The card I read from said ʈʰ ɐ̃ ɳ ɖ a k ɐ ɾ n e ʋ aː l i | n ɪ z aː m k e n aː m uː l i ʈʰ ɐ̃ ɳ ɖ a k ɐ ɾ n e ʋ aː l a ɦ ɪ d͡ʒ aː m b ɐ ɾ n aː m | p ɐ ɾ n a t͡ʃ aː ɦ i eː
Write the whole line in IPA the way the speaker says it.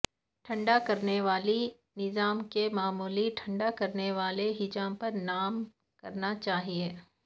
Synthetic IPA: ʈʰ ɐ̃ ɳ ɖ a k ɐ ɾ n e ʋ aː l i | n ɪ z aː m k e m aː m uː l i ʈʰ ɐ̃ ɳ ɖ a k ɐ ɾ n e ʋ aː l e ɦ ɪ d͡ʒ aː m p ɐ ɾ n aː m | k ɐ ɾ n a t͡ʃ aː ɦ i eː